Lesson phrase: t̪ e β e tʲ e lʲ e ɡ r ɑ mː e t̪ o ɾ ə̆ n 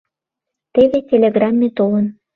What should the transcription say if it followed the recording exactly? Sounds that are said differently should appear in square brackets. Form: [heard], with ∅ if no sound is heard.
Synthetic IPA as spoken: t̪ e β e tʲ e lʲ e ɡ r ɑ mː e t̪ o [l] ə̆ n